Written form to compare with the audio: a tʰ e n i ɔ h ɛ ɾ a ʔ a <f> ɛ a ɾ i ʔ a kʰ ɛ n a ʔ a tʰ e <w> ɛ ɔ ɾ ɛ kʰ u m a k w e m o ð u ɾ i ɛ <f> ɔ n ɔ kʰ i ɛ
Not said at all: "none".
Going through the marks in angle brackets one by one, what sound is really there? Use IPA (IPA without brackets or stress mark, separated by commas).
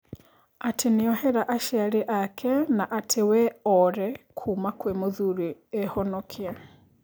ʃ, w, h